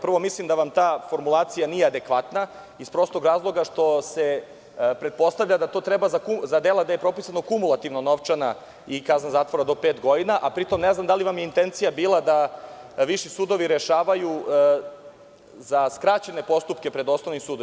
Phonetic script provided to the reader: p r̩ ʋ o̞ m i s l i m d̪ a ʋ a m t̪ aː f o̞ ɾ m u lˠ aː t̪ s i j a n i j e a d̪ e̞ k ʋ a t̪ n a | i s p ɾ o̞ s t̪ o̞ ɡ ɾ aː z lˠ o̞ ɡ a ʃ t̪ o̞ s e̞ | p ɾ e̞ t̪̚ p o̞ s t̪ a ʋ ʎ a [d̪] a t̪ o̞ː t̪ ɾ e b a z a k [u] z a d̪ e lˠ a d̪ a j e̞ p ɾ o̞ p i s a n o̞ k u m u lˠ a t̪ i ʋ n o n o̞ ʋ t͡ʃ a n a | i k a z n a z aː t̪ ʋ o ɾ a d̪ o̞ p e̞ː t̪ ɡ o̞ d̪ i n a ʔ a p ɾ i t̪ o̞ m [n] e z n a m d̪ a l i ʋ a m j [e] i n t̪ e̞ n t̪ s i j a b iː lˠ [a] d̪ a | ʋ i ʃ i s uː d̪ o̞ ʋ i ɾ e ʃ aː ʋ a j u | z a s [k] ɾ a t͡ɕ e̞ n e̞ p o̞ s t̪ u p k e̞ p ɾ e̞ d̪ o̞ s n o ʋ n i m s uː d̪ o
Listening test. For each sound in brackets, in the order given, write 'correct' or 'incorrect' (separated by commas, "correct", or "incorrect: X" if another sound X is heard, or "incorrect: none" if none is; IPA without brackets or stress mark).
correct, correct, correct, correct, correct, correct